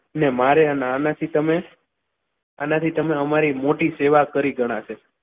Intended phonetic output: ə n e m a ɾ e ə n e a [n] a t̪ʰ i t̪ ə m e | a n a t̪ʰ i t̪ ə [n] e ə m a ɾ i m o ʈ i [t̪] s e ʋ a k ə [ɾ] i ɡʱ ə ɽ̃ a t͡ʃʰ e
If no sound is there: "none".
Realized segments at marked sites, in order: n, m, none, ɾ

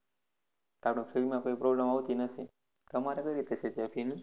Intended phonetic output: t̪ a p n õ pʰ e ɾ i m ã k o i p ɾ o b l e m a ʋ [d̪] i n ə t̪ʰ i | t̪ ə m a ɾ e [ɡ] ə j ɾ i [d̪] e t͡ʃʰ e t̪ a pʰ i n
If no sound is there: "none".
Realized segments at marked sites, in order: t̪, k, t̪

